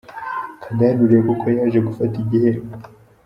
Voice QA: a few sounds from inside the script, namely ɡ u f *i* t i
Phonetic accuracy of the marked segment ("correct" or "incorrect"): incorrect